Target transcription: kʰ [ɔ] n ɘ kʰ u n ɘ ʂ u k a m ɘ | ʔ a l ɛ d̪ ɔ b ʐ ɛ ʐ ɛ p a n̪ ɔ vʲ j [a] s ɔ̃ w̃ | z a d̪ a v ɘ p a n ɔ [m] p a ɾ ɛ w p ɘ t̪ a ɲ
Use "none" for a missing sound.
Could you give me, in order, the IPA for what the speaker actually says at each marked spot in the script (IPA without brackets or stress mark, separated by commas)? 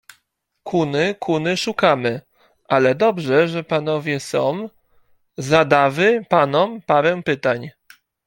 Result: u, ɛ, m